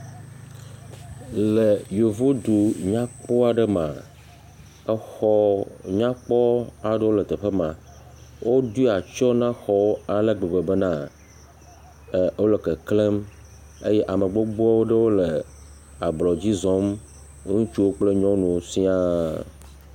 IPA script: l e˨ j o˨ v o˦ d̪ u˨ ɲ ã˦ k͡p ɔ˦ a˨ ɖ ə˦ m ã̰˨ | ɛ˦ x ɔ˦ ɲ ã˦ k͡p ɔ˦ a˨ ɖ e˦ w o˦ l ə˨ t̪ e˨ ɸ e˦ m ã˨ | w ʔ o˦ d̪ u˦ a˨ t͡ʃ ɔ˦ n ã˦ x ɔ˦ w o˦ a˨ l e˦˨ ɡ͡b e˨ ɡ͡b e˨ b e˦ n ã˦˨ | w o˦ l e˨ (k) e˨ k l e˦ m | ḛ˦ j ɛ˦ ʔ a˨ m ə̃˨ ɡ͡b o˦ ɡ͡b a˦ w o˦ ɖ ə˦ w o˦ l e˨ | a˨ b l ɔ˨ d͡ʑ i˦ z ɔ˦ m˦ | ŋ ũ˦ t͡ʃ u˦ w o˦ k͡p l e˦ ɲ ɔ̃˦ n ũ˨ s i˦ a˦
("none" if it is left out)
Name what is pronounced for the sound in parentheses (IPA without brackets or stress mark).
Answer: k